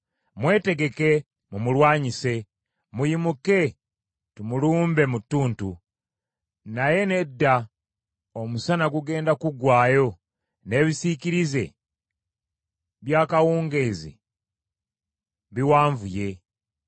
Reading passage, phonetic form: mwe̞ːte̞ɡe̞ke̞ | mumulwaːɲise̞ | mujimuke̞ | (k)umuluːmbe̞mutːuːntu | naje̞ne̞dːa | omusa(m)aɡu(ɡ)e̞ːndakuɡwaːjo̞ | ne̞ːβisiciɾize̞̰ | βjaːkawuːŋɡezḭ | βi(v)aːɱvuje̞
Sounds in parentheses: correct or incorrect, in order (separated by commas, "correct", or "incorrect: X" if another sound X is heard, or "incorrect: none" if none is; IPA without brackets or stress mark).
incorrect: t, incorrect: n, correct, incorrect: w